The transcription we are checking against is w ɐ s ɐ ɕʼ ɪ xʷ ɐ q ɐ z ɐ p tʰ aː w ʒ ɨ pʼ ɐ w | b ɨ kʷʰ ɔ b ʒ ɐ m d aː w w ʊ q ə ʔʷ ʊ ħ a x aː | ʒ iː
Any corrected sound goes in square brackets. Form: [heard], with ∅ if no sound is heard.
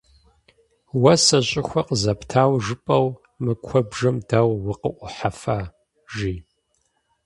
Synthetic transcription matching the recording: w ɐ s ɐ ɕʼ ɪ xʷ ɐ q [ə] z ɐ p tʰ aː w ʒ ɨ pʼ ɐ w | [m] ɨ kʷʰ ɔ b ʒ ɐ m d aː w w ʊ q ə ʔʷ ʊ ħ a [f] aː | ʒ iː